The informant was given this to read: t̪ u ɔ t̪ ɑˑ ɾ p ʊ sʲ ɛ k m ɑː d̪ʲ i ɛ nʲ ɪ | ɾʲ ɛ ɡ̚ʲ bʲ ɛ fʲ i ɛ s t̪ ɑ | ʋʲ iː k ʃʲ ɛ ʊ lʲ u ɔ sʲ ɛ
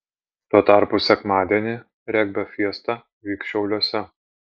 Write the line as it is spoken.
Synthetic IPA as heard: t̪ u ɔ t̪ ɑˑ ɾ p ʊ sʲ ɛ k m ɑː d̪ʲ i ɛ nʲ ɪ | ɾʲ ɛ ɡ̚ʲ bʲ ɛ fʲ i ɛ s t̪ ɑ | ʋʲ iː k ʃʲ ɛ ʊ lʲ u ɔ sʲ ɛ